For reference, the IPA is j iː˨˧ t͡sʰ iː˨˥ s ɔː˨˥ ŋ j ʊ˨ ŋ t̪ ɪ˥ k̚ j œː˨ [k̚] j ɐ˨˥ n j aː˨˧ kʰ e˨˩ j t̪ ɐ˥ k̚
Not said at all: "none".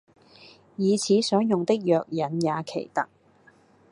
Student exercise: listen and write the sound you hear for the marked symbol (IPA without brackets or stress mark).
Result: k̚